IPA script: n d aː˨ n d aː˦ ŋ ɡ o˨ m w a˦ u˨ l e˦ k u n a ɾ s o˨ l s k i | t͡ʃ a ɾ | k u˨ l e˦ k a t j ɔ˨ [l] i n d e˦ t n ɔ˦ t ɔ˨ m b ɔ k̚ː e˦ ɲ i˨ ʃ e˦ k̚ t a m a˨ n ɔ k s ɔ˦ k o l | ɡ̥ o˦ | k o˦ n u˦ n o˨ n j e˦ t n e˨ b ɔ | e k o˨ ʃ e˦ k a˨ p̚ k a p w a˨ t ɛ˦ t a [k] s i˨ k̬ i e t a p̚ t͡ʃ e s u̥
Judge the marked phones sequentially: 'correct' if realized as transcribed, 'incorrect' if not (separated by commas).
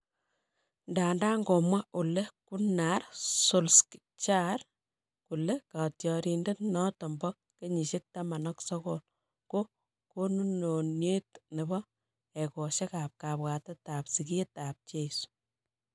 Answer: incorrect, incorrect